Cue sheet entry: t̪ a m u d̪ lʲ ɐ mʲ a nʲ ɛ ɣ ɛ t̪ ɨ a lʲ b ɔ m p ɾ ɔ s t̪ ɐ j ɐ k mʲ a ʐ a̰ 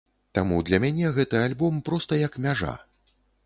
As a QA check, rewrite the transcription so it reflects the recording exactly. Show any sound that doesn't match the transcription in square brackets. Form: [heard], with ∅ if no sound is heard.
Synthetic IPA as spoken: t̪ a m u d̪ lʲ ɐ mʲ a nʲ ɛ ɣ ɛ t̪ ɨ a lʲ b ɔ m p ɾ ɔ s t̪ ɐ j ɐ k mʲ a ʐ a̰